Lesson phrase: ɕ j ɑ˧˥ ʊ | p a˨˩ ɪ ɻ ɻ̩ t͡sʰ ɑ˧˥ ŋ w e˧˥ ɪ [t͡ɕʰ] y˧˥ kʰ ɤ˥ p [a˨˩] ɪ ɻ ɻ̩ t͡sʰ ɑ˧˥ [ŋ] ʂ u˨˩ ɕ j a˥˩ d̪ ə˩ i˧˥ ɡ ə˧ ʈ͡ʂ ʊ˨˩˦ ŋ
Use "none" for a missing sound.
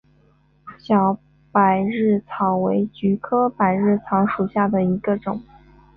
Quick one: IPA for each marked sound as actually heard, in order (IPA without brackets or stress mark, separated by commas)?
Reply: t͡ɕ, a˨˩, ŋ